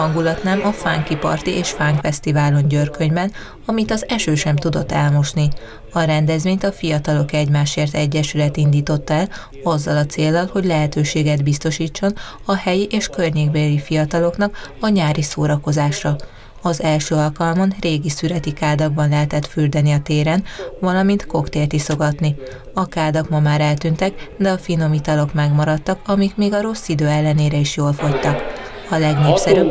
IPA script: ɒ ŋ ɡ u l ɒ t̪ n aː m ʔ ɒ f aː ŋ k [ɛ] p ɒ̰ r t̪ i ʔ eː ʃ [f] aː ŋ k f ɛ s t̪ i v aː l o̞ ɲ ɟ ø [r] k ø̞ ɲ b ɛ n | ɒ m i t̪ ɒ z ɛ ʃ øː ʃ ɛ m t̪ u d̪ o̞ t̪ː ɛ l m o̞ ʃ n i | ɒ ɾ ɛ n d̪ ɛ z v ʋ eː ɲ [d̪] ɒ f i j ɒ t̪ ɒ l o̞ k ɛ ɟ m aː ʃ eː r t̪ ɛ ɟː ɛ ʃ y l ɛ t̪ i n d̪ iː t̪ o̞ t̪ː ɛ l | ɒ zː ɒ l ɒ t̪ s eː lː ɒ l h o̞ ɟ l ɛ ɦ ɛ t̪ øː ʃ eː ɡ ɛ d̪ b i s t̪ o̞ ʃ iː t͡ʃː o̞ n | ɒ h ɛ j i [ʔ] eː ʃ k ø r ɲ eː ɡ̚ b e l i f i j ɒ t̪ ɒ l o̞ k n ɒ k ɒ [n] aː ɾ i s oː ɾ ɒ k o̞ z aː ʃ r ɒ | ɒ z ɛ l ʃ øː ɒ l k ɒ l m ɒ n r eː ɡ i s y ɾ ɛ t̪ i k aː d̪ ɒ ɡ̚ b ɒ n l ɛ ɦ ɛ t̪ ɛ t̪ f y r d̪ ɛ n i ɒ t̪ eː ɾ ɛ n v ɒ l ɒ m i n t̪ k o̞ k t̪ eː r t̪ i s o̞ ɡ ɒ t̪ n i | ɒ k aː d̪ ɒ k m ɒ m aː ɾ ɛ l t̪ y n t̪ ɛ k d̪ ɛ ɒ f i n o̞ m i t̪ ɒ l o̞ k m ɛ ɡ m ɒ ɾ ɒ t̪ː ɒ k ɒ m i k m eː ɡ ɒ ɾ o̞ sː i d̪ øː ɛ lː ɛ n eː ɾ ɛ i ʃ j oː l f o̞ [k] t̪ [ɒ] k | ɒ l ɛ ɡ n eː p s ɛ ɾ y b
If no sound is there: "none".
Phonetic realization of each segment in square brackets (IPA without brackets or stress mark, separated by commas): i, f, r, t̪, ʔ, ɲ, c, ɒ